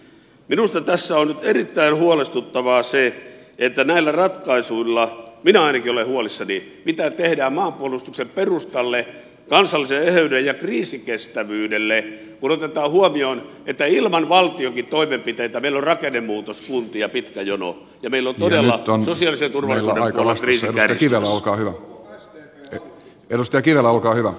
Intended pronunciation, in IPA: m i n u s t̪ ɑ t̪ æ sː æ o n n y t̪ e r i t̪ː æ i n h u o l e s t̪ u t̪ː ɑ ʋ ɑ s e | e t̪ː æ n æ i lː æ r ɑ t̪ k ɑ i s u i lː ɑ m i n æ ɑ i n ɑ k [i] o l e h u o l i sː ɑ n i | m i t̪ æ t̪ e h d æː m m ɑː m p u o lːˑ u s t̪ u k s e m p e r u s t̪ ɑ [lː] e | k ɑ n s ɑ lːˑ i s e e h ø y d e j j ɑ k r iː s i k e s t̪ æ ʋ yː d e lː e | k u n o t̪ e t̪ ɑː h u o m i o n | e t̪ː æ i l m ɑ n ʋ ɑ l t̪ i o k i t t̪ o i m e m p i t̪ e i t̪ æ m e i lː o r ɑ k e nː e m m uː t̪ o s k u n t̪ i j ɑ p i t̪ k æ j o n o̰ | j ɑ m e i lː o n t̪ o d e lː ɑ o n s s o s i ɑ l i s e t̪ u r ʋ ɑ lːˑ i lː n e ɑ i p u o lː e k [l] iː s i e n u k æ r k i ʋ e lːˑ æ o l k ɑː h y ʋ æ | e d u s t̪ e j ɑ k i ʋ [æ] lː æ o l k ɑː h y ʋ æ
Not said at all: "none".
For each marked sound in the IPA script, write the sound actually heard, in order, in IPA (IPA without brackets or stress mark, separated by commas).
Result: i, lː, r, e